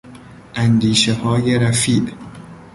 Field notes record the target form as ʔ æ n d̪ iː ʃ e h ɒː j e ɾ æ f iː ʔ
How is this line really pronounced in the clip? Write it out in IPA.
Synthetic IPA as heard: ʔ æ n d̪ iː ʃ e h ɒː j e ɾ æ f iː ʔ